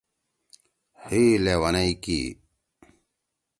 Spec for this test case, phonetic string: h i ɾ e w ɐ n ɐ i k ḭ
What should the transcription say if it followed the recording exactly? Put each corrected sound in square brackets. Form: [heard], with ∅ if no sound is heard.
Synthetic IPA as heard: h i [l] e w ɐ n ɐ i k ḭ